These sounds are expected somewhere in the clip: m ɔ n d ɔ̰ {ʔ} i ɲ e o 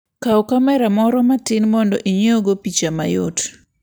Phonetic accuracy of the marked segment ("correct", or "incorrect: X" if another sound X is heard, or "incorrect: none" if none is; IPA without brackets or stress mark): correct